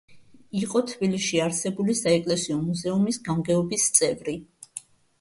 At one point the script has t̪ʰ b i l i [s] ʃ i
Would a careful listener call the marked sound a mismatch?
yes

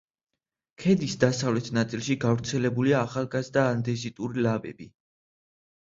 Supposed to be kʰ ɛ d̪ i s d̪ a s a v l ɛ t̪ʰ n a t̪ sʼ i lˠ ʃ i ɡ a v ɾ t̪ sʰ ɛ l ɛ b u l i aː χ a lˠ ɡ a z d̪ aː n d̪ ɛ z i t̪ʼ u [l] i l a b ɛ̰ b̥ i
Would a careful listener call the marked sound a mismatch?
yes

